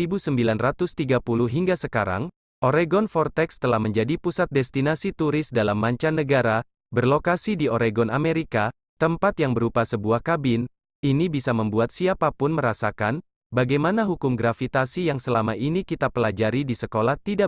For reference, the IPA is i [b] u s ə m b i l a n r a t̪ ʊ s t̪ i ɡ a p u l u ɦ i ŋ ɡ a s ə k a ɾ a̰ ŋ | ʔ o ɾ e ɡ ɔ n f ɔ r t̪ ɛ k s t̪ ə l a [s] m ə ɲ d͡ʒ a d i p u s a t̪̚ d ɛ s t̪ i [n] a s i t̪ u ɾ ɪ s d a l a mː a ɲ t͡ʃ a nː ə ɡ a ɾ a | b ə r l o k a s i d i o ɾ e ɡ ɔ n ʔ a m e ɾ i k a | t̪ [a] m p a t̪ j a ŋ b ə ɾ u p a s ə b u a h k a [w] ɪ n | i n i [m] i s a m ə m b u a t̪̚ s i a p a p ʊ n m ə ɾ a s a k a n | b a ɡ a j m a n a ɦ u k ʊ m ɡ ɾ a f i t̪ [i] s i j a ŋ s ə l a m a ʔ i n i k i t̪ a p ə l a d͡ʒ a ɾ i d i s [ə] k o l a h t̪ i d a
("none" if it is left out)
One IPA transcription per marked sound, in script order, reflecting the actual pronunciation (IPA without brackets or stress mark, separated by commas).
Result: b, h, n, ə, b, b, a, ə